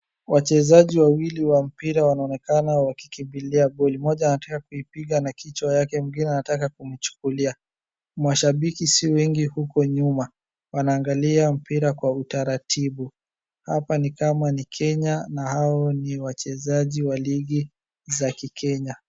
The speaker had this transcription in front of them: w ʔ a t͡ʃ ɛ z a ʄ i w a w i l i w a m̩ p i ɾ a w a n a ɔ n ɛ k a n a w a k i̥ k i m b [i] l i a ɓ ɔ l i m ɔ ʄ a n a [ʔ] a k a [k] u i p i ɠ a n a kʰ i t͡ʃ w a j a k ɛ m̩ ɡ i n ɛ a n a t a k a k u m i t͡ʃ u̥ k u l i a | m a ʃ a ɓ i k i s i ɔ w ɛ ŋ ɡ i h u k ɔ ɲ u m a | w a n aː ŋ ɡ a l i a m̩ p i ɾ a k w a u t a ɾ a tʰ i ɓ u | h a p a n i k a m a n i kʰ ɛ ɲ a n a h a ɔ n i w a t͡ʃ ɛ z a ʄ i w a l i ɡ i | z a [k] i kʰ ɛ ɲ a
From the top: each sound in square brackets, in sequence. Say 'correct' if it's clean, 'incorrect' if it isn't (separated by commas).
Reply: correct, incorrect, correct, correct